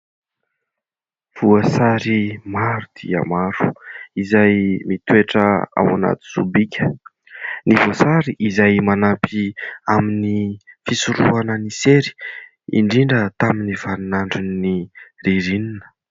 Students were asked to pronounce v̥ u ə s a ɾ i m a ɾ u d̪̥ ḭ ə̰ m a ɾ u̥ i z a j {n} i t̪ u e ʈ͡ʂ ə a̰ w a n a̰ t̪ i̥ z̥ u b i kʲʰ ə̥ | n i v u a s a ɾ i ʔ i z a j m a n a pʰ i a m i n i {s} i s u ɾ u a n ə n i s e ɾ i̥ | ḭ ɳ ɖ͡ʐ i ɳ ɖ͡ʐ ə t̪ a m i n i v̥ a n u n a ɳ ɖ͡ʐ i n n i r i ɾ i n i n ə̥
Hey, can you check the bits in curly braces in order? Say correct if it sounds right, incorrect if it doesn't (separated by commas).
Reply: incorrect, incorrect